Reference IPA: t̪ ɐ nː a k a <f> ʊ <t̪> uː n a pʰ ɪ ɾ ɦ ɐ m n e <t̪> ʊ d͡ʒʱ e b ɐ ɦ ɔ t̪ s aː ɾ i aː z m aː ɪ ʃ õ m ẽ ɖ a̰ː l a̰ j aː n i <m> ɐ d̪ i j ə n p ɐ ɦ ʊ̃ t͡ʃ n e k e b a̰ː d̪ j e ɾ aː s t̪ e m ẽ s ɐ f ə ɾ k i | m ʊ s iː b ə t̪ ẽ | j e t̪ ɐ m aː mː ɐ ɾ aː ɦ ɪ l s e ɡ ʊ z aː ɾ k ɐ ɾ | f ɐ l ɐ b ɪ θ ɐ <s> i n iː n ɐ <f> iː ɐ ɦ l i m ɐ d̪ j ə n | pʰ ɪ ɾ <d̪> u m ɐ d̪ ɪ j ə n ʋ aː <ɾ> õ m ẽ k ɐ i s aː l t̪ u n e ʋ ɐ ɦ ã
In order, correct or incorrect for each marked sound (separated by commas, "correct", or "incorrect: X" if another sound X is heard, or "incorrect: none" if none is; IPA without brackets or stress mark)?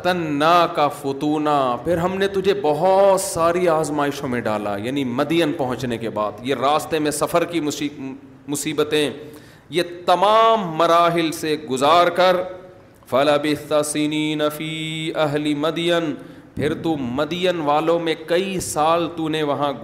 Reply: correct, correct, correct, correct, correct, correct, incorrect: t̪, incorrect: l